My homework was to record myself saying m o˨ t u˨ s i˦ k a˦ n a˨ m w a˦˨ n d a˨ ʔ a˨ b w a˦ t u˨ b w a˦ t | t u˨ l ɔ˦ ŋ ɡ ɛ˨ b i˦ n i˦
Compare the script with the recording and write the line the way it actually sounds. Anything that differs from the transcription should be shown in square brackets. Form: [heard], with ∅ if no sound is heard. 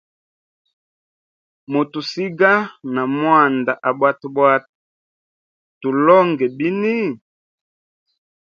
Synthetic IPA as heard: m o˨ t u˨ s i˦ [ɡ] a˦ n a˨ m w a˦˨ n d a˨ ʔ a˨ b w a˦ t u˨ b w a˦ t | t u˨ l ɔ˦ ŋ ɡ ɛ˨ b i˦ n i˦